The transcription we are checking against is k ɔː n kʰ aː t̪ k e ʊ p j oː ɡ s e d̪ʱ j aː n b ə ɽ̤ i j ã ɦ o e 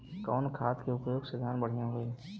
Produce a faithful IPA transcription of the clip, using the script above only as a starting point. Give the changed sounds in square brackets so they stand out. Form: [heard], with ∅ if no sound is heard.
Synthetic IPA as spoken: k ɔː n kʰ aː t̪ k e ʊ p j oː ɡ s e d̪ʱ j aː n b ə ɽ̤ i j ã ɦ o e

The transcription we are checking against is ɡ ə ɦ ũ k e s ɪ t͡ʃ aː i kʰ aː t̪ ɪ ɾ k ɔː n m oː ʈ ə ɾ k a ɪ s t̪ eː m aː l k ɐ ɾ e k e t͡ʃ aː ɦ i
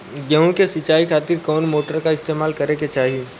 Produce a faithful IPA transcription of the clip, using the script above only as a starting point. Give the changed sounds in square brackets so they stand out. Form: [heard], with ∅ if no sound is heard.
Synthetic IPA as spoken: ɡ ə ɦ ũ k e s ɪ t͡ʃ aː i kʰ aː t̪ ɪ ɾ k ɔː n m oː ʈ ə ɾ k a ɪ s t̪ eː m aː l k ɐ ɾ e k e t͡ʃ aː ɦ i

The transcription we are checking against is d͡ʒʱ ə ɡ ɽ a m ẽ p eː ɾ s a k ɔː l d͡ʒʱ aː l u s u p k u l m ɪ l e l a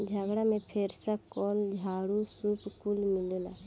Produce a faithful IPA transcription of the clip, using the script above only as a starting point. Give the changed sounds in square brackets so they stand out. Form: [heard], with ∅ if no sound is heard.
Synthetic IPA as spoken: d͡ʒʱ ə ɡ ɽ a m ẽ [pʰ] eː ɾ s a k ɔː l d͡ʒʱ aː [ɽ] u s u p k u l m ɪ l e l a

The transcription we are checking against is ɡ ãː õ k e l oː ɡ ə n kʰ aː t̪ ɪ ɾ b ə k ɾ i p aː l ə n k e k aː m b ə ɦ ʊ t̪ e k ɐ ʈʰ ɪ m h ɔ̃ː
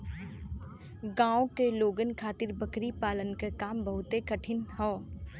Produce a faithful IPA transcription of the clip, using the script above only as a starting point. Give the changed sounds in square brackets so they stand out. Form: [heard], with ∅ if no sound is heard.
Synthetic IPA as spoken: ɡ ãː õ k e l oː ɡ ə n kʰ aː t̪ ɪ ɾ b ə k ɾ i p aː l ə n k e k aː m b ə ɦ ʊ t̪ e k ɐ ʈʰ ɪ [n] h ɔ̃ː

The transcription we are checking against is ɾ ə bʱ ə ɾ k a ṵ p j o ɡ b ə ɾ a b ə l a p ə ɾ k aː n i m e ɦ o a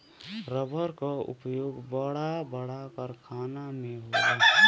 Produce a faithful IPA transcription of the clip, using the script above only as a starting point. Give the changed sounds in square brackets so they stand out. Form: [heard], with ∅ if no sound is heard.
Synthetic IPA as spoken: ɾ ə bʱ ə ɾ k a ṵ p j o ɡ b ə [ɽ] a b ə [ɽ] a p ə ɾ [kʰ] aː n [a] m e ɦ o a

